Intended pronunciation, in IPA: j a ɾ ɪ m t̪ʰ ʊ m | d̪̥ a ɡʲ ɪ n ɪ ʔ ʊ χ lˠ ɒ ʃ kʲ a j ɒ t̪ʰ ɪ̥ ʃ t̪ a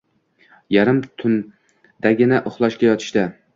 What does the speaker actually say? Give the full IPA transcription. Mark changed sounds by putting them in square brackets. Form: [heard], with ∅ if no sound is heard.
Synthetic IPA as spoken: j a ɾ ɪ m t̪ʰ ʊ [n] | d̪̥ a ɡʲ ɪ n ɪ ʔ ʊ χ lˠ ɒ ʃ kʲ a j ɒ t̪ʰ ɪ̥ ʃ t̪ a

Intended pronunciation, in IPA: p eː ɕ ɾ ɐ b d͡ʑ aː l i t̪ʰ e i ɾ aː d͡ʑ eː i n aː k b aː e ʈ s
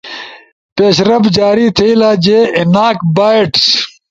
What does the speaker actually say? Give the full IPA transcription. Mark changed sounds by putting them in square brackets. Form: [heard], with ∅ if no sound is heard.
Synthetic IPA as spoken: p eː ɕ ɾ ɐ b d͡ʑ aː [ɾ] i t̪ʰ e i [l] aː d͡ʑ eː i n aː k b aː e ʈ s

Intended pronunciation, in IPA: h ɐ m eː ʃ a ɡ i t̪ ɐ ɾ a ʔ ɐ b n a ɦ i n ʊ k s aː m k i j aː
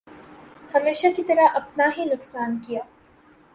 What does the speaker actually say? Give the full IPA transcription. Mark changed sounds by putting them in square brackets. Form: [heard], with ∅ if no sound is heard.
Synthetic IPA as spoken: h ɐ m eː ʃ a [k] i t̪ ɐ ɾ a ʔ ɐ [p] n a ɦ i n ʊ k s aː [n] k i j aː

